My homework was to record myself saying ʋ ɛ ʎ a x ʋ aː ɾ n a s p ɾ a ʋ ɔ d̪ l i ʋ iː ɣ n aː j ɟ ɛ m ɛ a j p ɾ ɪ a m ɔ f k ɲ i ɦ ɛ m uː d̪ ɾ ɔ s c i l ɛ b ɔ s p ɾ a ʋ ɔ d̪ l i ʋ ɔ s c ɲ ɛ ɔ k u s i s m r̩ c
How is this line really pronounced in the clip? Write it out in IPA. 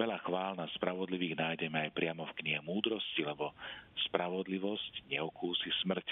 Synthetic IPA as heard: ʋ ɛ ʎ a x ʋ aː l n a s p ɾ a ʋ ɔ d̪ l i ʋ iː ɣ n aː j ɟ ɛ m ɛ a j p ɾ ɪ a m ɔ f k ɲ i ɦ ɛ m uː d̪ ɾ ɔ s c i l ɛ b ɔ s p ɾ a ʋ ɔ d̪ l i ʋ ɔ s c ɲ ɛ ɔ k uː s i s m r̩ c